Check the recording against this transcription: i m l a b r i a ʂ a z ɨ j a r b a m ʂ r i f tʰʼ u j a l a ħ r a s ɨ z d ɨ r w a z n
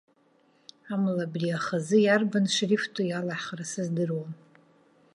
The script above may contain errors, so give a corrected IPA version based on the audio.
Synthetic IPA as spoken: a m l a b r i a χ a z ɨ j a r b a n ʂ r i f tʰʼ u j a l a ħ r a s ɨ z d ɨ r w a n